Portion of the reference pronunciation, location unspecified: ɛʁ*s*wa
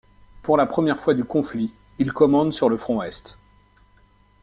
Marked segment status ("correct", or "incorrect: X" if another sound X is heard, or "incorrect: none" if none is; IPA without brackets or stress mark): incorrect: f